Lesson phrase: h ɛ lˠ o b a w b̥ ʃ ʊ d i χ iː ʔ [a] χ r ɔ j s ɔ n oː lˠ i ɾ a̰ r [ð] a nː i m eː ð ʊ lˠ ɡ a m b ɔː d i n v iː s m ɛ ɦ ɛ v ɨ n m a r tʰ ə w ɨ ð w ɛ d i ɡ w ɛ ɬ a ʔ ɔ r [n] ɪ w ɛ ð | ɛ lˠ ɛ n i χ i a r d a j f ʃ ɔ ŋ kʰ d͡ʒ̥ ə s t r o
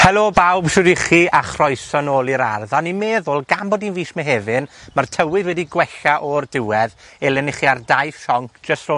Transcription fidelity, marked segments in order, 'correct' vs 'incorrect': correct, correct, incorrect: d

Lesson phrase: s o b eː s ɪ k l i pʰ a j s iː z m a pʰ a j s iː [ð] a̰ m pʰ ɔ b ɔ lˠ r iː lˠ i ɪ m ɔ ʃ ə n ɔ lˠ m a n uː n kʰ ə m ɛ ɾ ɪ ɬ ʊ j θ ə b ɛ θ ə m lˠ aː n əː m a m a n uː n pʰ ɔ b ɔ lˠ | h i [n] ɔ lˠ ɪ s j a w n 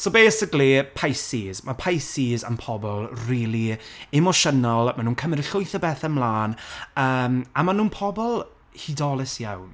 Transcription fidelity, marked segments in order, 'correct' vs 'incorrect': incorrect: z, incorrect: d

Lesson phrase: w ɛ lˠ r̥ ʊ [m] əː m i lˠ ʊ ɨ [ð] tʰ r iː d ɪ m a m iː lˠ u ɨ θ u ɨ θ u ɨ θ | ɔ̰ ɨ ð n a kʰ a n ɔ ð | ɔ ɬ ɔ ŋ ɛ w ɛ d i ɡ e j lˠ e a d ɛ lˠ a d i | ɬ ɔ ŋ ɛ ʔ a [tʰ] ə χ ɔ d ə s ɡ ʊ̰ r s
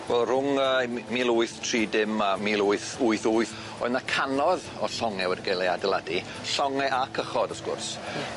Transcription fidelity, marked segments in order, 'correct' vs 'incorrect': incorrect: ŋ, incorrect: θ, incorrect: kʰ

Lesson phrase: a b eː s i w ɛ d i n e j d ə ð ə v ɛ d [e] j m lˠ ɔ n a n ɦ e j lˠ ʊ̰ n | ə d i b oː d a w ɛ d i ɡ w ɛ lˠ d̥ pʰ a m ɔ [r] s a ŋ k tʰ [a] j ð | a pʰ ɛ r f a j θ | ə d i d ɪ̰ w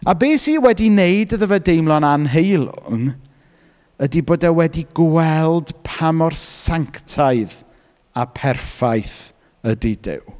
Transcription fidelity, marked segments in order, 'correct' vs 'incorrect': correct, correct, correct

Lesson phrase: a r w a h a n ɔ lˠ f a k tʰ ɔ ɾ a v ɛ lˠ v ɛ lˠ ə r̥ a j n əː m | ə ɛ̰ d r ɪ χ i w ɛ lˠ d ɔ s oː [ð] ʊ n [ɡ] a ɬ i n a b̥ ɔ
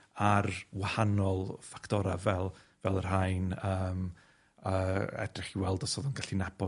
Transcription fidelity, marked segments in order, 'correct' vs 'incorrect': correct, correct

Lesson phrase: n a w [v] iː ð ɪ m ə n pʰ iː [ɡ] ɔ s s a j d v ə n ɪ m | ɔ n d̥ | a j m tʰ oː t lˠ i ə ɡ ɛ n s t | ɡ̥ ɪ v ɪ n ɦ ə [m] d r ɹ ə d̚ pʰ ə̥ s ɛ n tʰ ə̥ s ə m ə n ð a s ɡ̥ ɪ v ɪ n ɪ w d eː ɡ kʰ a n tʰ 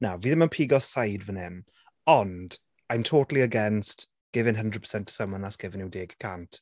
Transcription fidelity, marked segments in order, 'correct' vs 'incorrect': correct, correct, incorrect: n

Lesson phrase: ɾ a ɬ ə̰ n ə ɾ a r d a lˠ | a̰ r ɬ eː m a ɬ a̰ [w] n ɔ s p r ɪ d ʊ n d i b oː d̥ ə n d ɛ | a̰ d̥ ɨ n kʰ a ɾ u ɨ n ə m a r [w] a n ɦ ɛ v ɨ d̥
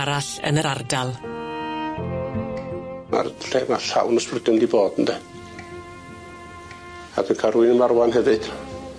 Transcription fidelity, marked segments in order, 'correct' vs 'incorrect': correct, correct

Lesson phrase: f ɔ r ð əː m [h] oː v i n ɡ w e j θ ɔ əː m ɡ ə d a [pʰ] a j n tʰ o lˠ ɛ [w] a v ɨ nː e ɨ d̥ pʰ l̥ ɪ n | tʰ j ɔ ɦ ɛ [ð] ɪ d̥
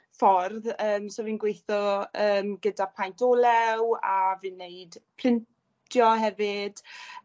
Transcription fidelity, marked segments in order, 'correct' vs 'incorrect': incorrect: s, correct, correct, incorrect: v

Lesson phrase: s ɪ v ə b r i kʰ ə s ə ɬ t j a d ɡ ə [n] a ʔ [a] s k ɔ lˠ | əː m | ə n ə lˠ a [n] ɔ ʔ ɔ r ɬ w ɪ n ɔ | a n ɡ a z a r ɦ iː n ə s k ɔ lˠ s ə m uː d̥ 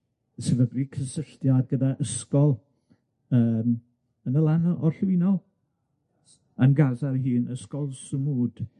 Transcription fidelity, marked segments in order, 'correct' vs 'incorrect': incorrect: d, incorrect: ə, correct

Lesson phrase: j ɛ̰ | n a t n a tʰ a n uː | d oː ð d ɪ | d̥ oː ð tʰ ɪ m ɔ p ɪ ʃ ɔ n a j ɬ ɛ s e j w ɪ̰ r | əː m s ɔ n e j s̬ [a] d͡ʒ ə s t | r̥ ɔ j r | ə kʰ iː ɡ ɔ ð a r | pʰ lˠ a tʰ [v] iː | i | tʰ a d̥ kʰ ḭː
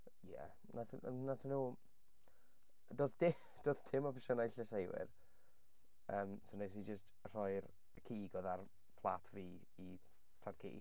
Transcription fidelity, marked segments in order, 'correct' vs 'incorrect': incorrect: i, correct

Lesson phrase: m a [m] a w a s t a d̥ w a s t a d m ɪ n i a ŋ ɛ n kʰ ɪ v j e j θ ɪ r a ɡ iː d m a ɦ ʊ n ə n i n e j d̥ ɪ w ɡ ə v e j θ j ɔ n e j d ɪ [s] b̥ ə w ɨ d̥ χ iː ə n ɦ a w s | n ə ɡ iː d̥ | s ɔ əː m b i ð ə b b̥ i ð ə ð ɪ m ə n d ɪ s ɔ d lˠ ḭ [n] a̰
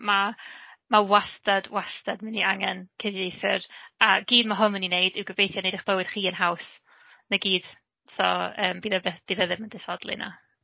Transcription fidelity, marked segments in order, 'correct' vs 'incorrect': correct, incorrect: χ, correct

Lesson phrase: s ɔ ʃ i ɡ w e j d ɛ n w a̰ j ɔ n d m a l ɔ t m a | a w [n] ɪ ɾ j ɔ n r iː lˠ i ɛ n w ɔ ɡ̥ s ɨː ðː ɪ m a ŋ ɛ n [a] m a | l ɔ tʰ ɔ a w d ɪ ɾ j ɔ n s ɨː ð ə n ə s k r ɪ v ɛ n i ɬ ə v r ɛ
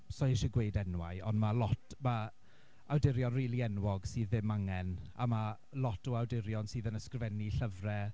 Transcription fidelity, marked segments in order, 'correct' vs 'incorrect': incorrect: d, correct

